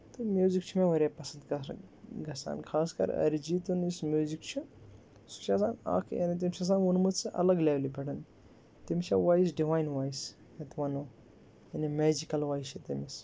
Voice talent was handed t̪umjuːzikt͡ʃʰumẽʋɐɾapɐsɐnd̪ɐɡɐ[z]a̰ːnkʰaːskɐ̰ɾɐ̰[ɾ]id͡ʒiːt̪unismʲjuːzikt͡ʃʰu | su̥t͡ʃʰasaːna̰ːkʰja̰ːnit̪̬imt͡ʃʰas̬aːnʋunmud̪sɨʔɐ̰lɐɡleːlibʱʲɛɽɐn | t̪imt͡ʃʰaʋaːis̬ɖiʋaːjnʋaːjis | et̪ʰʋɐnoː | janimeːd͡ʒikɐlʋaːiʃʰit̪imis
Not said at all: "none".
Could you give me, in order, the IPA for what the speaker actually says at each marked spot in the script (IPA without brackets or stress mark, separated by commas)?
s, ɾ